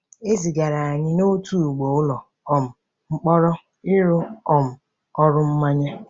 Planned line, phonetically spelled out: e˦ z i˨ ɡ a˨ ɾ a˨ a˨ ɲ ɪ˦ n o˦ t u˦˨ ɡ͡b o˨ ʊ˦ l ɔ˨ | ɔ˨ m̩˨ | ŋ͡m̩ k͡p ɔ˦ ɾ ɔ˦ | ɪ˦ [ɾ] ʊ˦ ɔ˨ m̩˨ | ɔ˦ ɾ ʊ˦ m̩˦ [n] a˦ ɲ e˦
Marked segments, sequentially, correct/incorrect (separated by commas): correct, incorrect